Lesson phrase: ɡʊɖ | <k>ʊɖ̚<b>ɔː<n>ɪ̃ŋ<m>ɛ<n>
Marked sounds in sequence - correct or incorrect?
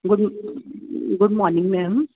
incorrect, incorrect, correct, correct, incorrect

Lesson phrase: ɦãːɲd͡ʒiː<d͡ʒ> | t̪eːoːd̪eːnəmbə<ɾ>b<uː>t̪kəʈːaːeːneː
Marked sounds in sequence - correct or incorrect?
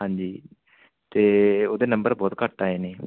incorrect, correct, incorrect

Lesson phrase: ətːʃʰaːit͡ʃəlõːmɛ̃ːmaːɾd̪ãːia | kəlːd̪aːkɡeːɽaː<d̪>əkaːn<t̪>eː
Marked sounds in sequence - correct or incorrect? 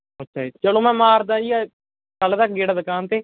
correct, correct

